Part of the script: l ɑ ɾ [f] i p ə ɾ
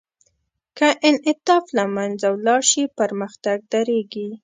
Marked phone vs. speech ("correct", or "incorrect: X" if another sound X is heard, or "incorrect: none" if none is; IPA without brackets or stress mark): incorrect: ʃ